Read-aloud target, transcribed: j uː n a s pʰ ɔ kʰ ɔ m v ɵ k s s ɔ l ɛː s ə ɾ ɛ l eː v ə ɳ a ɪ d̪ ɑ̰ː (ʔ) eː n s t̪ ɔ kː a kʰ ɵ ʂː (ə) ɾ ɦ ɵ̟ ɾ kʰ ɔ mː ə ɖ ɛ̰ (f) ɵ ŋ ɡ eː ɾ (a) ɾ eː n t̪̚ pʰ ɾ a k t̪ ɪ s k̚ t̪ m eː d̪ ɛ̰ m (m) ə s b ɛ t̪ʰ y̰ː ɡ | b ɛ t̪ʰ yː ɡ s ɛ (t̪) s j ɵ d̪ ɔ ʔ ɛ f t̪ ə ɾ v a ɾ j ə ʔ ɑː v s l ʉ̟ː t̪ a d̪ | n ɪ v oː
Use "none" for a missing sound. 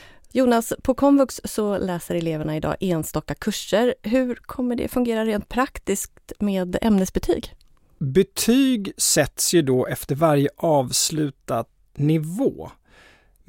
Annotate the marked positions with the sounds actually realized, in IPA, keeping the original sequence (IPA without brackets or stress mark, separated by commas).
ʔ, ə, f, a, n, t̪